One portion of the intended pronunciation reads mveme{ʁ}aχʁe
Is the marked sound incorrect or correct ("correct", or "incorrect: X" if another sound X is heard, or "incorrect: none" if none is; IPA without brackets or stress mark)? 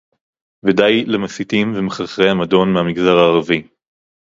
incorrect: χ